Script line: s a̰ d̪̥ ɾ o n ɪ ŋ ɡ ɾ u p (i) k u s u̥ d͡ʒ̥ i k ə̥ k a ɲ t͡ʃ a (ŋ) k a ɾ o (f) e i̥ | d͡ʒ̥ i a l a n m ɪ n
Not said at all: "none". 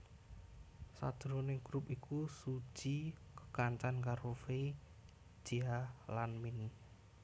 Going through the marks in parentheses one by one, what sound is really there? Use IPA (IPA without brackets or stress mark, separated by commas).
i, n, f